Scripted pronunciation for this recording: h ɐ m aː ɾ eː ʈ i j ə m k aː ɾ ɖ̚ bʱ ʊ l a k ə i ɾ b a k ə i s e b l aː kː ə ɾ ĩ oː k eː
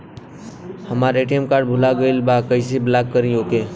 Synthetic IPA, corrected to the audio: h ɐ m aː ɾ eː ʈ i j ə m k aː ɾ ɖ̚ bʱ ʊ l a ɡ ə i l b a k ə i s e b l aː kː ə ɾ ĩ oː k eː